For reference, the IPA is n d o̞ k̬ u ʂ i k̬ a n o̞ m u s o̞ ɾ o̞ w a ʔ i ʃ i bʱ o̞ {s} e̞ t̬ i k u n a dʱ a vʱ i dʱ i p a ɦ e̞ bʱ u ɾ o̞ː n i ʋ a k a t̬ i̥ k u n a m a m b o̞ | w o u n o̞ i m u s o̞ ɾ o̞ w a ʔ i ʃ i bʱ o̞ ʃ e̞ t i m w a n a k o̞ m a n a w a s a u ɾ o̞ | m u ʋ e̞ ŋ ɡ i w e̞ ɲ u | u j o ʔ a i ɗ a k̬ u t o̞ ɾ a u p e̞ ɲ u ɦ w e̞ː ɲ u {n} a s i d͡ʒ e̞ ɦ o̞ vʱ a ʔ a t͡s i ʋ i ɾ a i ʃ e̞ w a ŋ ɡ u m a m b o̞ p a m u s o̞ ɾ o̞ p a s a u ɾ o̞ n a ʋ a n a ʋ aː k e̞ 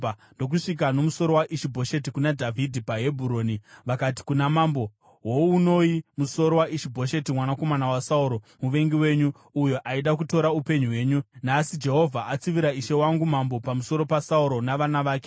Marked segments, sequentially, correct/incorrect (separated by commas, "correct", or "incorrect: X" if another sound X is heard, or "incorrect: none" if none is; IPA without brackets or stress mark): incorrect: ʃ, correct